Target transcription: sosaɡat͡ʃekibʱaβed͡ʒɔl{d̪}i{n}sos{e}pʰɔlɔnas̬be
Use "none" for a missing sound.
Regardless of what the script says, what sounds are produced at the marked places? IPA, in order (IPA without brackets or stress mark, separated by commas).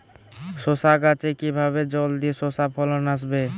d̪, none, a